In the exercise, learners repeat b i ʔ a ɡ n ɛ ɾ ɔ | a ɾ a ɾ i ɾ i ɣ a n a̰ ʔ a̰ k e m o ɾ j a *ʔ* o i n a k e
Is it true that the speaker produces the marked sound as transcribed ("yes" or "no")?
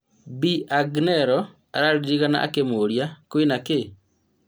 no